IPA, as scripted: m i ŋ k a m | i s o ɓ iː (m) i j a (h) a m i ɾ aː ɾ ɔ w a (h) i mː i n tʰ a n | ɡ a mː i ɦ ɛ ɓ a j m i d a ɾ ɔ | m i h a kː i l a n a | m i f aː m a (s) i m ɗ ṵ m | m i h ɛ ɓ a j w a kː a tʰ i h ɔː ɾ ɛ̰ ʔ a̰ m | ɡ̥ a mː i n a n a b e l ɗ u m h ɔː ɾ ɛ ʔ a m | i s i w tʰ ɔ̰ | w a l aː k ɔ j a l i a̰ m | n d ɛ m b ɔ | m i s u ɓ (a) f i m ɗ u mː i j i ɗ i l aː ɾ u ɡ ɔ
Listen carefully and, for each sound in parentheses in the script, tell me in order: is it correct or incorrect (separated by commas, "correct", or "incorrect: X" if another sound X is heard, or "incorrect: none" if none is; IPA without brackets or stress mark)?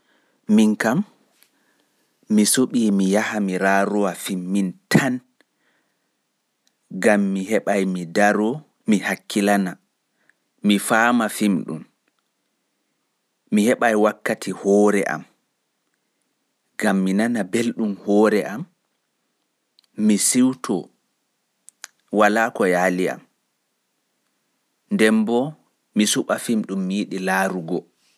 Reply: correct, correct, incorrect: f, incorrect: f, correct